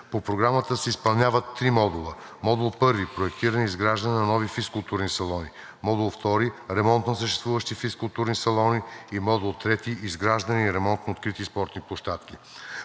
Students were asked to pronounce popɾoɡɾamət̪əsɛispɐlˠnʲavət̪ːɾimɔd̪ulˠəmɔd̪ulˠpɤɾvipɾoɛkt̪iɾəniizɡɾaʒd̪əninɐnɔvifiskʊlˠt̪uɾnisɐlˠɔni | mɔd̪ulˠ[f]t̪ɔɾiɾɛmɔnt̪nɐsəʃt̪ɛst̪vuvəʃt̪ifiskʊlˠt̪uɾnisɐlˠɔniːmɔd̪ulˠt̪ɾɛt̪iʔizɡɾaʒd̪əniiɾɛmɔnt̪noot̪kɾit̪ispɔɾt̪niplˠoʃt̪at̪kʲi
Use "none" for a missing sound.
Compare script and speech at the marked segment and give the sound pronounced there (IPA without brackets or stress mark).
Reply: f